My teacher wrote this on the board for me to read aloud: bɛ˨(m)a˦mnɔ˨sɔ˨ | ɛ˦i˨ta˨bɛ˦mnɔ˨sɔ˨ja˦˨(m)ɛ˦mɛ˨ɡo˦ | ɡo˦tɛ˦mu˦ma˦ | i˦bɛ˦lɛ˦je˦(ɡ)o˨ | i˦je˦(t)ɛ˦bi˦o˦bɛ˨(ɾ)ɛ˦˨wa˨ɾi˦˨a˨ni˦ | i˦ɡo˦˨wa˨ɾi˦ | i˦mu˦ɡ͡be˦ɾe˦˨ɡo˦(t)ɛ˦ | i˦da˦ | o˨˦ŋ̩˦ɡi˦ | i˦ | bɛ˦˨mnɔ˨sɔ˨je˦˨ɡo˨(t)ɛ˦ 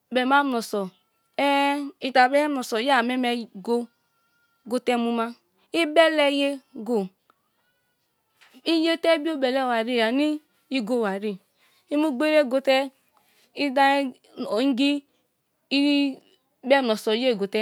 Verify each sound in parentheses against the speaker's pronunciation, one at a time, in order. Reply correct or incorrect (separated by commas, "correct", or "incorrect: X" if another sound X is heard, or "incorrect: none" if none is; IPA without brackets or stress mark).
correct, correct, correct, correct, incorrect: l, correct, correct